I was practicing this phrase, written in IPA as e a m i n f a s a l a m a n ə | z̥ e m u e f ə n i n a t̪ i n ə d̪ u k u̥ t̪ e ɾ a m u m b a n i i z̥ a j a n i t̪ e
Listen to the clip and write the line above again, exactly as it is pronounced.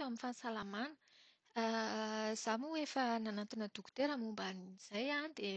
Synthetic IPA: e a m i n f a s a l a m a n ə | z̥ a m u e f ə n a n a t̪ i n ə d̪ u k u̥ t̪ e ɾ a m u m b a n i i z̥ a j a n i d̪ e